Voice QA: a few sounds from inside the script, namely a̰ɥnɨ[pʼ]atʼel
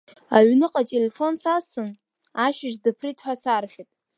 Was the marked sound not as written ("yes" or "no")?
yes